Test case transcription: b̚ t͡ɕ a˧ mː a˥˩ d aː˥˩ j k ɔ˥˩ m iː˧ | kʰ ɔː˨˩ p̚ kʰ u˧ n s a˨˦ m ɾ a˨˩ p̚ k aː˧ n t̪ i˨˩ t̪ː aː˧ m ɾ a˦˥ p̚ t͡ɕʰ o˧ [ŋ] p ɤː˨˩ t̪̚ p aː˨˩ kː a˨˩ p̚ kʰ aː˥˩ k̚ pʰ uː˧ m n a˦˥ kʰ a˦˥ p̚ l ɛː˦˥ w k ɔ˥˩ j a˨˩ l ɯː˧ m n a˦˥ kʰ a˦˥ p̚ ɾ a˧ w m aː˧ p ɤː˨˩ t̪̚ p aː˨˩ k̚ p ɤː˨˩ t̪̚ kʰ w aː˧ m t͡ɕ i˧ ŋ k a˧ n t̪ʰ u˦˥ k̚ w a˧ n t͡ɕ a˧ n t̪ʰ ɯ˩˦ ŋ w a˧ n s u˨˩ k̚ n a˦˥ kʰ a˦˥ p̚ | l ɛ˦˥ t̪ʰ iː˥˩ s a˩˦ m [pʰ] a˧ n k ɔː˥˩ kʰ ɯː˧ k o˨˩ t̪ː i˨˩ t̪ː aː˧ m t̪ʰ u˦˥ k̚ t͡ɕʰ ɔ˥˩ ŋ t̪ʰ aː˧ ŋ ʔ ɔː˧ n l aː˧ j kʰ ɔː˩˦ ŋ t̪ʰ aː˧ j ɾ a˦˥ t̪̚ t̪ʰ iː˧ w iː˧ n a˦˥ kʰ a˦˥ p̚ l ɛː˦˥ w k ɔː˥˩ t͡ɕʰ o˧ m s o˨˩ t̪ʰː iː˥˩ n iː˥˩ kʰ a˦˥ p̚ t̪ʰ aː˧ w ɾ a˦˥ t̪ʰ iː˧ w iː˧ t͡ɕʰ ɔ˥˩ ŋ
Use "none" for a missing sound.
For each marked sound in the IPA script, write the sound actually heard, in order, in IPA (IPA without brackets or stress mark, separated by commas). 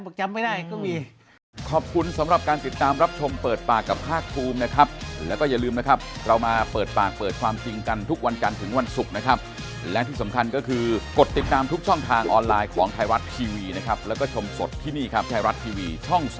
m, kʰ